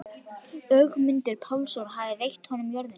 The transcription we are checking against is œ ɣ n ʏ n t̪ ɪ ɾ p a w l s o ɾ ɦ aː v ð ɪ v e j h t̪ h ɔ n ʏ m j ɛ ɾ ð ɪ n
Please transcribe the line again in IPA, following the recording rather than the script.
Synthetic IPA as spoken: œ ɣ m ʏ n t̪ ɪ ɾ pʰ a w l s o ɾ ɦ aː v ð ɪ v e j h t̪ h ɔ n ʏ m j œ ɾ ð ɪ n